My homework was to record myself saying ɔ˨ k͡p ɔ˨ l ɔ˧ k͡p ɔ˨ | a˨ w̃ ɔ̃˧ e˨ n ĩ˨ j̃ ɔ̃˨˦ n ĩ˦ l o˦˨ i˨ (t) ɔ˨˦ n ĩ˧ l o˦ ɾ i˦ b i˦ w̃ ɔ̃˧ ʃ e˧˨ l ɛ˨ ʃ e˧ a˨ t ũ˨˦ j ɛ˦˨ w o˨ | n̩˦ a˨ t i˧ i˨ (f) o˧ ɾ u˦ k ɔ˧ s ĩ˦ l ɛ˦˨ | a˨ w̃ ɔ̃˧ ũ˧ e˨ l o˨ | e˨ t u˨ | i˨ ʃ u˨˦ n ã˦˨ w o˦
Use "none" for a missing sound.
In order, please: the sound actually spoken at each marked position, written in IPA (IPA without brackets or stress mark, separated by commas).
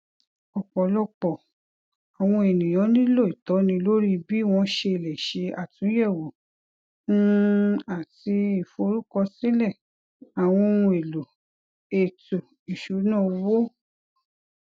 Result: t, f